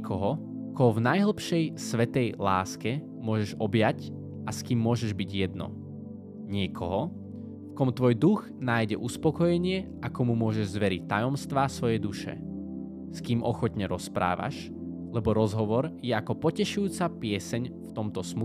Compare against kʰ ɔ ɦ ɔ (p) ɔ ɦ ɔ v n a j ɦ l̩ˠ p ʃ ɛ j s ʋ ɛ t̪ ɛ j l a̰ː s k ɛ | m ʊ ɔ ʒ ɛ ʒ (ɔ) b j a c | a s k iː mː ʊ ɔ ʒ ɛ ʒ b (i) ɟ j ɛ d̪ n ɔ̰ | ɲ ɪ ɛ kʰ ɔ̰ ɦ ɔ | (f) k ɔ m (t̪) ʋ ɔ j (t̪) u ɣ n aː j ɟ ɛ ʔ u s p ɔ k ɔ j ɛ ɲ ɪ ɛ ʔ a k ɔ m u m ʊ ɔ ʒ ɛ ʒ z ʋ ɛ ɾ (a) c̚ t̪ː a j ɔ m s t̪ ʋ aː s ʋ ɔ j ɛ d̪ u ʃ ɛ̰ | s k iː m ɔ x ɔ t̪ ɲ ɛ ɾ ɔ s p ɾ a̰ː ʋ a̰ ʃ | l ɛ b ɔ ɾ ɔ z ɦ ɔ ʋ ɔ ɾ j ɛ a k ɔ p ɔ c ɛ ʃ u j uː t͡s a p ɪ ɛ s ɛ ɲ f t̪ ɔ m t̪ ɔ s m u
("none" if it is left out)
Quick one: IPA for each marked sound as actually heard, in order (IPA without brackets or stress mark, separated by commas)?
k, ɔ, i, f, t̪, d̪, i